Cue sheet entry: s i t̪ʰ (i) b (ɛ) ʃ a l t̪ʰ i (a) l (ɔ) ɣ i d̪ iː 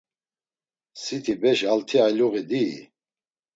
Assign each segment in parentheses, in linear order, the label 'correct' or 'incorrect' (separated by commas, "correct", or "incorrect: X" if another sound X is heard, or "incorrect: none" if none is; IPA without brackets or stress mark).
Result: correct, correct, correct, incorrect: u